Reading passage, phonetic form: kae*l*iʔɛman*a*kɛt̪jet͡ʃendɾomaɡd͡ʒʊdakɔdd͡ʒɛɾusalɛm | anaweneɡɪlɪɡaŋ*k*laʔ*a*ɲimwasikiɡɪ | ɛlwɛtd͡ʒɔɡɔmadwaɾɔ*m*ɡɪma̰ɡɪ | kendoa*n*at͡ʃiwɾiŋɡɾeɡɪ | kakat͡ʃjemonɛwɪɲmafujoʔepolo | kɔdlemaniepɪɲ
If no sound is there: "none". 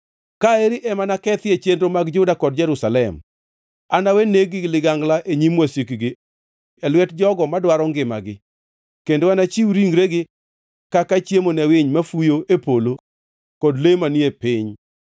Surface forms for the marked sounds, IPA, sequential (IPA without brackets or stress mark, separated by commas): ɾ, a, ɡ, e, ŋ, n